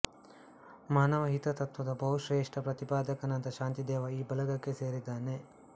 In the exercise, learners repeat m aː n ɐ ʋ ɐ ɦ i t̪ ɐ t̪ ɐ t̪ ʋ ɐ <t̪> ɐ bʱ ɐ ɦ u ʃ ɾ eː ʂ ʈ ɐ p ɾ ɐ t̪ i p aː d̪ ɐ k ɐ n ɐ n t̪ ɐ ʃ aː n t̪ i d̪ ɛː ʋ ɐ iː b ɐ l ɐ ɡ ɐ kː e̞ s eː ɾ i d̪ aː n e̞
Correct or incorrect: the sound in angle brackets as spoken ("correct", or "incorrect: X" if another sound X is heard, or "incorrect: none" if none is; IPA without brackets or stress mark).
incorrect: d̪